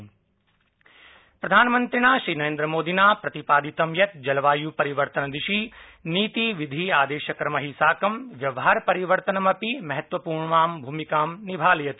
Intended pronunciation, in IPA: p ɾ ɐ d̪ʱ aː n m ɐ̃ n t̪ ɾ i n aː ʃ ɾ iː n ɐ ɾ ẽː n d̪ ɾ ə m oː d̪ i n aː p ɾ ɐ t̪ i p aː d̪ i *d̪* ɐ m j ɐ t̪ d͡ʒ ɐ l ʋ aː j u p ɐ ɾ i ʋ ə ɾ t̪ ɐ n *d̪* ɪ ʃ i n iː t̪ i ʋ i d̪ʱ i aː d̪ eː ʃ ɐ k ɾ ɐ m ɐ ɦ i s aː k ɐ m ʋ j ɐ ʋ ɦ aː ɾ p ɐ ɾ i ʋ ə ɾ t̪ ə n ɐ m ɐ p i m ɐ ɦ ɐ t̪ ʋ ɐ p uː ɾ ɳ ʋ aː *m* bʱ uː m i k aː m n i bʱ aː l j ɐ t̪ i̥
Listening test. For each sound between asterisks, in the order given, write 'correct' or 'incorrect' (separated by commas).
incorrect, correct, correct